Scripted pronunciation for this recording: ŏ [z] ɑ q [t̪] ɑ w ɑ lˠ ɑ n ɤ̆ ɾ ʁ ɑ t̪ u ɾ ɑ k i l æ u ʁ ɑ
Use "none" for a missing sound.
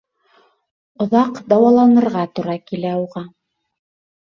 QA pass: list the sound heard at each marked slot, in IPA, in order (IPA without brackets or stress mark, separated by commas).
ð, d̪